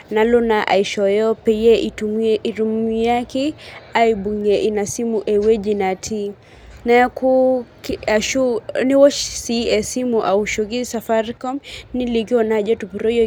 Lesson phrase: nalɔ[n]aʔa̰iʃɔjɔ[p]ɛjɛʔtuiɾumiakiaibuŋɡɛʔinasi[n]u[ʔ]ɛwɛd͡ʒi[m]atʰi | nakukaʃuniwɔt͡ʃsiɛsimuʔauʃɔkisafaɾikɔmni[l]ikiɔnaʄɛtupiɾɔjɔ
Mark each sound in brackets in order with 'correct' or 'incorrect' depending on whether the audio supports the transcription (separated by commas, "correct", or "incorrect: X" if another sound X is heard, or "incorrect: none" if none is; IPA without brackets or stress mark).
correct, correct, incorrect: m, correct, incorrect: n, correct